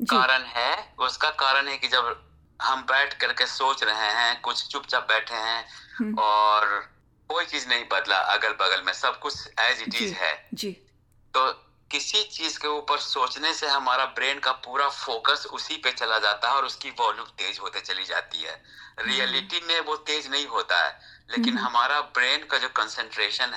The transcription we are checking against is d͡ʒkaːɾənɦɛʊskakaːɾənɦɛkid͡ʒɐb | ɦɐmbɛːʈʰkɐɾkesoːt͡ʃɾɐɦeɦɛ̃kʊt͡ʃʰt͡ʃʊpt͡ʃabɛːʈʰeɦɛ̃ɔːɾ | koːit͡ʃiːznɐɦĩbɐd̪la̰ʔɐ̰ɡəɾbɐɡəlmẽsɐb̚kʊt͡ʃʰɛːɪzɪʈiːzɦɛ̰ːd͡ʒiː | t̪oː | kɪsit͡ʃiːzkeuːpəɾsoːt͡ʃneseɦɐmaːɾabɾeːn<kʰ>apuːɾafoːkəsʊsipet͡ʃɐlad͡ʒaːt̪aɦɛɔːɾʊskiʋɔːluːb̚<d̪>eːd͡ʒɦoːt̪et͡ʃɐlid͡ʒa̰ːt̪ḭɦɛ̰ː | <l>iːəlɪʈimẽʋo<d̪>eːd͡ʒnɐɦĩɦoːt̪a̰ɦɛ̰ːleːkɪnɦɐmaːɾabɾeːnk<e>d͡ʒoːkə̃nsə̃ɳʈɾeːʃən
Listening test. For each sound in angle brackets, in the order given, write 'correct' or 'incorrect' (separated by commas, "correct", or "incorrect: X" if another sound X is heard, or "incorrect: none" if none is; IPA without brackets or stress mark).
incorrect: k, incorrect: t̪, incorrect: ɾ, incorrect: t̪, incorrect: a